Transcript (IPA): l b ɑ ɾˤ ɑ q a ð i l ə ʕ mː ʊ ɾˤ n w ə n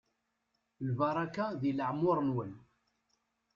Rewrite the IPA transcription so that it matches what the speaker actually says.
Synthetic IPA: l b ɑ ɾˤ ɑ k a ð i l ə ʕ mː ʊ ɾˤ n w ə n